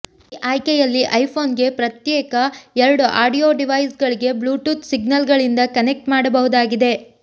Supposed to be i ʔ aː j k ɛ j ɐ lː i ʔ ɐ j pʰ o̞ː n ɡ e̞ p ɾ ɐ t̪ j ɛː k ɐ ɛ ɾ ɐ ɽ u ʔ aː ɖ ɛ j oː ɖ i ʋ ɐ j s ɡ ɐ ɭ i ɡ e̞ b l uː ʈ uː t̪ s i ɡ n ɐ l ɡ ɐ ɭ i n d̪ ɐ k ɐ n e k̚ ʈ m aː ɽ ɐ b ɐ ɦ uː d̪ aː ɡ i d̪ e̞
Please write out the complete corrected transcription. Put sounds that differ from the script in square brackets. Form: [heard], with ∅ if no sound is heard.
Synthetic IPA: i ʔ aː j k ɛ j ɐ lː i ʔ ɐ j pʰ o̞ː n ɡ e̞ p ɾ ɐ t̪ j ɛː k ɐ ɛ ɾ ɐ ɽ u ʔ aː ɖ [i] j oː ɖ i ʋ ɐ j s ɡ ɐ ɭ i ɡ e̞ b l uː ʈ uː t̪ s i ɡ n ɐ l ɡ ɐ ɭ i n d̪ ɐ k ɐ n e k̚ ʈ m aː ɽ ɐ b ɐ ɦ [u] d̪ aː ɡ i d̪ e̞